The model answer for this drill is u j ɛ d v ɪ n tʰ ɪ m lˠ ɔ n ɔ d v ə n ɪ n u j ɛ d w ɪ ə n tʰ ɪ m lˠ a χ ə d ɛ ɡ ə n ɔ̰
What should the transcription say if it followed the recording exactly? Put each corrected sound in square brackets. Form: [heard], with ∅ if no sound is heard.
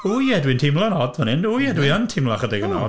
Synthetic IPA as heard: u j ɛ d [w] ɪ n tʰ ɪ m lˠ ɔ n ɔ d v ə n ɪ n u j ɛ d w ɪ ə n tʰ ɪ m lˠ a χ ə d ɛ ɡ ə n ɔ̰